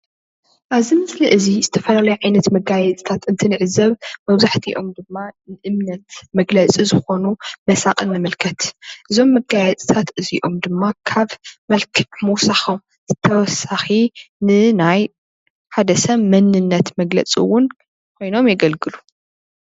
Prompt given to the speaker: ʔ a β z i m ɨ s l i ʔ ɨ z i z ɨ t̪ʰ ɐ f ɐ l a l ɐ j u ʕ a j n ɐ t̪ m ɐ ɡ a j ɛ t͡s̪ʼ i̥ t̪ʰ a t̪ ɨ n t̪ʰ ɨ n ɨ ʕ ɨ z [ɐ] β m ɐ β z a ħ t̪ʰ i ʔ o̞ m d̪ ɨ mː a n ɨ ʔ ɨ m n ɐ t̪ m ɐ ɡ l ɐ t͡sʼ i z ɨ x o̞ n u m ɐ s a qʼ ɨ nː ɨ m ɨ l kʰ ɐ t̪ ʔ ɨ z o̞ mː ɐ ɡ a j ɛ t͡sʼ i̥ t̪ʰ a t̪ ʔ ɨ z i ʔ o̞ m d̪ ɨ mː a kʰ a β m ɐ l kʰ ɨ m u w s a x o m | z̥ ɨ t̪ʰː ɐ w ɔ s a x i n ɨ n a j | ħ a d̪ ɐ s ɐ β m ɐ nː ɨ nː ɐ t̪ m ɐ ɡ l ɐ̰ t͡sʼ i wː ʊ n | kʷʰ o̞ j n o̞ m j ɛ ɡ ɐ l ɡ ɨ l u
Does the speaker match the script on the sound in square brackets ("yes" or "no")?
yes